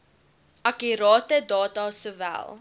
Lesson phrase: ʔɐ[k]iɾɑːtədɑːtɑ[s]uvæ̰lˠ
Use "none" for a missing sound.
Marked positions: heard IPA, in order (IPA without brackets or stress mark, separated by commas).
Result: k, s